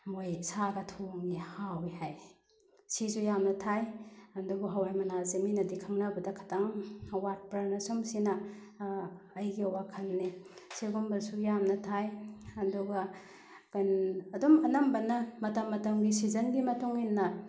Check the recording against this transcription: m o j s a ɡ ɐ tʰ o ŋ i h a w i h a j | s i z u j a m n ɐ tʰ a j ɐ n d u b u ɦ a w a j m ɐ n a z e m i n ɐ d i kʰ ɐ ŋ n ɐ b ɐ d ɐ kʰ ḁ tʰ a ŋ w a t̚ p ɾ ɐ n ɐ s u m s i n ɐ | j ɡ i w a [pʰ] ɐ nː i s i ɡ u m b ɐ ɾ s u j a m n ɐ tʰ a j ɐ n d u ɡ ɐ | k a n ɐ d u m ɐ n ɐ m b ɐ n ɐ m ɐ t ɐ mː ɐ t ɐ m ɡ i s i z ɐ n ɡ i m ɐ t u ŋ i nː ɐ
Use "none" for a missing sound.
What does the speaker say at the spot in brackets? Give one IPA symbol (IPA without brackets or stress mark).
kʰ